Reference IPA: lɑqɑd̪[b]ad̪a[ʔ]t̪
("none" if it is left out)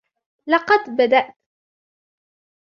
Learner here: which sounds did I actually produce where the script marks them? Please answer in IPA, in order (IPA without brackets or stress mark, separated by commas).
b, ʔ